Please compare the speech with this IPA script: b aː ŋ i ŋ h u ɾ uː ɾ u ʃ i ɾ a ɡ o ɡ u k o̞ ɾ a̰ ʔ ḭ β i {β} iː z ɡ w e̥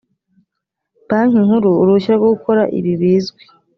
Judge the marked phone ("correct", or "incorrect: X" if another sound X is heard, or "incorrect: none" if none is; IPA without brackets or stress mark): correct